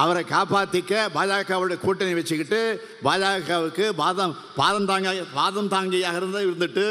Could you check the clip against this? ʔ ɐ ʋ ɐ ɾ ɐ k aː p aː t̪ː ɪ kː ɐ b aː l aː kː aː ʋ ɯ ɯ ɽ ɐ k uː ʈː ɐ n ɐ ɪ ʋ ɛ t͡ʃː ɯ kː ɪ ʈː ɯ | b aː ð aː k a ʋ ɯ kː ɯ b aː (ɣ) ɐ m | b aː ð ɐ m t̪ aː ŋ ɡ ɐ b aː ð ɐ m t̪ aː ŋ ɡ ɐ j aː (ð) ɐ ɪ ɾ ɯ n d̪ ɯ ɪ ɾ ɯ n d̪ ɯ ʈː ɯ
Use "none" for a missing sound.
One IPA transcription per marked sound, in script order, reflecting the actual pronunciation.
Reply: ð, ɣ

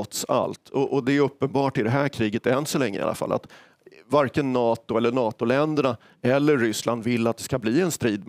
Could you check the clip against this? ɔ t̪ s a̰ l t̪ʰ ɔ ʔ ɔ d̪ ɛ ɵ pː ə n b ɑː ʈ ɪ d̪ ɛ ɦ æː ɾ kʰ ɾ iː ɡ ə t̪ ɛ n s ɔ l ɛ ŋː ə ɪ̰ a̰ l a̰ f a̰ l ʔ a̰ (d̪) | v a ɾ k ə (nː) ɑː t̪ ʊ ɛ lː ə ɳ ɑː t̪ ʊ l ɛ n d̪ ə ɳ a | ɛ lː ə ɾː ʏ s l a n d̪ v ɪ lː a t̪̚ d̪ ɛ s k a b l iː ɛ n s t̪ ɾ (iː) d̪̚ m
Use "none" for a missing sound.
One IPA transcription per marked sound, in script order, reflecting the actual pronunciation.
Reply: t̪, nː, iː

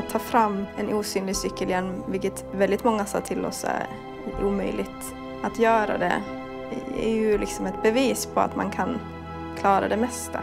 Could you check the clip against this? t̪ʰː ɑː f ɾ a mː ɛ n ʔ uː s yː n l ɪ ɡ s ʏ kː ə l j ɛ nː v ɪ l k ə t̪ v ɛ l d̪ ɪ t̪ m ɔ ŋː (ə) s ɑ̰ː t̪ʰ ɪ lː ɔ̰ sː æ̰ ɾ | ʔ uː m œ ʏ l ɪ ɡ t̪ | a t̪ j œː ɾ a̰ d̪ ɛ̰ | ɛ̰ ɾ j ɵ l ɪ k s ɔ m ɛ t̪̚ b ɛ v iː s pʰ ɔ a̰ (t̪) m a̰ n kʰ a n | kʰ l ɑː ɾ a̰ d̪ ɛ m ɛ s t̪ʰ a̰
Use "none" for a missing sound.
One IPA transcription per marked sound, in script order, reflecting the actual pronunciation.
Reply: a, t̪

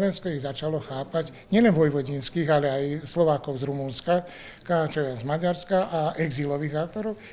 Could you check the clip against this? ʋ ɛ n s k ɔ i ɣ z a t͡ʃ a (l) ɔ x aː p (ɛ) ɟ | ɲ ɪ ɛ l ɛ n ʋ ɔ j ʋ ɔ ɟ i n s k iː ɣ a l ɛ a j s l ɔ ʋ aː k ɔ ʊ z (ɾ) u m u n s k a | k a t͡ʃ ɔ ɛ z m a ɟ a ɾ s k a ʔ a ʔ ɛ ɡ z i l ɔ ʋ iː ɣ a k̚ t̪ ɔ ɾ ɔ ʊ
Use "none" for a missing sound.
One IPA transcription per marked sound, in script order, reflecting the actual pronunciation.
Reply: l, a, ɾ

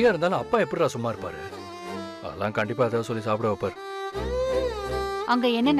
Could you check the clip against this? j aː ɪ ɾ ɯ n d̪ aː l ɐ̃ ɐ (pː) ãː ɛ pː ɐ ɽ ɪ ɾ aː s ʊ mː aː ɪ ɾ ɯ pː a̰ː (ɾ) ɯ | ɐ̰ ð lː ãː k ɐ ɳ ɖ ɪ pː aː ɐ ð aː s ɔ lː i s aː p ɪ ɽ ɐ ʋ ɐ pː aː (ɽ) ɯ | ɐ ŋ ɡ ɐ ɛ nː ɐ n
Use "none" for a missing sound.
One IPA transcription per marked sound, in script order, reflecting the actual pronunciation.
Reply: pː, ɾ, ɾ

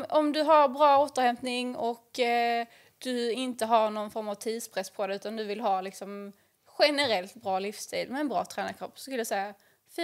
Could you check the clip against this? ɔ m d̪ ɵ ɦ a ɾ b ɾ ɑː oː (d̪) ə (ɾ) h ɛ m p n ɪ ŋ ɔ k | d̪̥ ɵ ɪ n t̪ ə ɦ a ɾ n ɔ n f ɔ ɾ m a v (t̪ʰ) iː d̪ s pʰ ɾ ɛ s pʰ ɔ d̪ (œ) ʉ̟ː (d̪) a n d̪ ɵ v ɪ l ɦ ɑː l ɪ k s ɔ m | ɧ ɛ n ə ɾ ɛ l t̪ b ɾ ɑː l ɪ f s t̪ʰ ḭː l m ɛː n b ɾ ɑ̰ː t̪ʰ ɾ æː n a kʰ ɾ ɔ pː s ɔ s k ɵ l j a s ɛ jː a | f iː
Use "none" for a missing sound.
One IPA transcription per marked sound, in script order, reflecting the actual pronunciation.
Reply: t̪, ɾ, t̪ʰ, ɛ, t̪

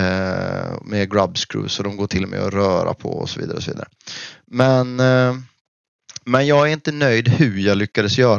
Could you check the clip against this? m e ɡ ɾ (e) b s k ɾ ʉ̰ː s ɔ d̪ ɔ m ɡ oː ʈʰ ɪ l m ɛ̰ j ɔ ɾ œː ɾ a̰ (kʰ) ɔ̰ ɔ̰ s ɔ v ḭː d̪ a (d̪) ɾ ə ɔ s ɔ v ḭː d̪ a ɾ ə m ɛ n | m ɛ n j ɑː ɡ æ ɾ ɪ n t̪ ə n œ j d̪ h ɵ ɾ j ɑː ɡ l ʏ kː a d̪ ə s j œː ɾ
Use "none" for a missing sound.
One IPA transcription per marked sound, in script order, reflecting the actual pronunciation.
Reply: a, pʰ, none

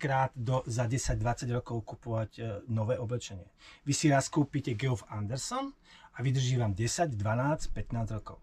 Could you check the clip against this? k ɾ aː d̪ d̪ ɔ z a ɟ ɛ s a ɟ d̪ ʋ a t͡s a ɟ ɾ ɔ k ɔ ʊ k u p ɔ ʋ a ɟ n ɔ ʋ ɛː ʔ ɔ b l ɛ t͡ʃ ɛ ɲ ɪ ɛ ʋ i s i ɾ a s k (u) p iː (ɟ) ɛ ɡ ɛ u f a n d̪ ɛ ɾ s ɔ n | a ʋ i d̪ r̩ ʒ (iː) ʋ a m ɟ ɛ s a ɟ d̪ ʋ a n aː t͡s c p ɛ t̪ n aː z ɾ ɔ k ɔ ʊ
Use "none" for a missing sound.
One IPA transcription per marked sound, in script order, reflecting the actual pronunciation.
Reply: uː, c, iː

